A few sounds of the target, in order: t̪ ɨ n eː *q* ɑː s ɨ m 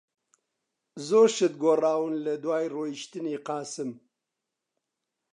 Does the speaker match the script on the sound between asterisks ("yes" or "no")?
yes